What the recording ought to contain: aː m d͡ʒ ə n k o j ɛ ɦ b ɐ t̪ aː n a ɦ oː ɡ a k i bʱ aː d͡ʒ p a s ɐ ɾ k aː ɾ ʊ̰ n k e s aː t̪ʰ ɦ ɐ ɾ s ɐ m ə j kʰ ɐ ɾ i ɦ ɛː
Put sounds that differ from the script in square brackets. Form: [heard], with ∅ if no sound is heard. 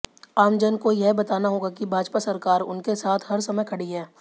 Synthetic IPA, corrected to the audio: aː m d͡ʒ ə n k o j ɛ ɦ b ɐ t̪ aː n a ɦ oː ɡ a k i bʱ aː d͡ʒ p a s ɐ ɾ k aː ɾ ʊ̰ n k e s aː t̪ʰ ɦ ɐ ɾ s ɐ m ə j kʰ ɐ [ɽ] i ɦ ɛː